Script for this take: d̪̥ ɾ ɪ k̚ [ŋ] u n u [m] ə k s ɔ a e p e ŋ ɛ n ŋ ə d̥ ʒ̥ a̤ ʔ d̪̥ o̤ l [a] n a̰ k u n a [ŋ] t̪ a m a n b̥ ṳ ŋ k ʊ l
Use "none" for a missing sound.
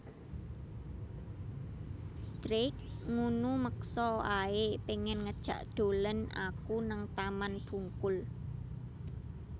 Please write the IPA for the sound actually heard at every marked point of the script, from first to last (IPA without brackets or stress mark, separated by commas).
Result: ŋ, m, ə, ŋ